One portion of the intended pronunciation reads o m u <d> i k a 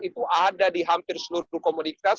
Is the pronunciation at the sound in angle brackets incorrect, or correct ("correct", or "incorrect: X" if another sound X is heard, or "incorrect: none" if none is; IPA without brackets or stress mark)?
incorrect: n